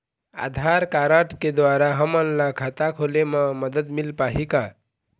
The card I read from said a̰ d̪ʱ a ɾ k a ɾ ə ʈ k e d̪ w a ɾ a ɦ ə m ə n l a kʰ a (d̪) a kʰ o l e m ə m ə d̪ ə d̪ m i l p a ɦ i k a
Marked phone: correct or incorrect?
incorrect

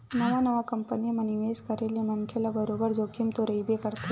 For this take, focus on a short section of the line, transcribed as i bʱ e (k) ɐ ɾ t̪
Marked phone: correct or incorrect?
correct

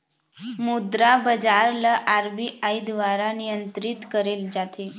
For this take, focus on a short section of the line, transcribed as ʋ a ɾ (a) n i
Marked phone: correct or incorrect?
correct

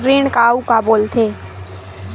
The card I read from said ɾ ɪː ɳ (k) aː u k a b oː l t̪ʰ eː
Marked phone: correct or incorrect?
correct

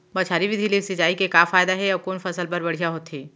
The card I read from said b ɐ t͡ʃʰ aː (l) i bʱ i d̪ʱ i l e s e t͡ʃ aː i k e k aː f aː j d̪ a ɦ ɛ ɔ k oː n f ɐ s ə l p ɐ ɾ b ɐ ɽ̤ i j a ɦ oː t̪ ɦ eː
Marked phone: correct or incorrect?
incorrect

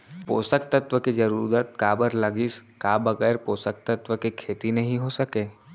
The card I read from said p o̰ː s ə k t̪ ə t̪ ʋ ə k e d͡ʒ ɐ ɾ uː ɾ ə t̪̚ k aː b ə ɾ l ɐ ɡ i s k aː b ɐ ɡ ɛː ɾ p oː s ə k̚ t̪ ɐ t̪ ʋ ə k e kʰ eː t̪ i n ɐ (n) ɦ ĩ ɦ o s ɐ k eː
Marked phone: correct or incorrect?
incorrect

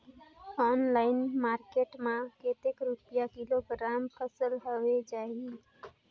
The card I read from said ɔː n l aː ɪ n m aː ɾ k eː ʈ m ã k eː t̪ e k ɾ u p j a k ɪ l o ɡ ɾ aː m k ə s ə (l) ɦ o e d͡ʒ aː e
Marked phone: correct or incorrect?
correct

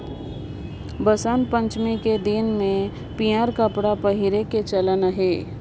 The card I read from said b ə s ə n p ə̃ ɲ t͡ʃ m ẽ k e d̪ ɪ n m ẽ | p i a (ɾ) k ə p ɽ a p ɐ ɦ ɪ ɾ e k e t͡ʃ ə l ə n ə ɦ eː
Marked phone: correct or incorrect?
correct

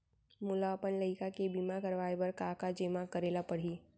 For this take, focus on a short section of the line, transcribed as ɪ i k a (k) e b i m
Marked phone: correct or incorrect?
correct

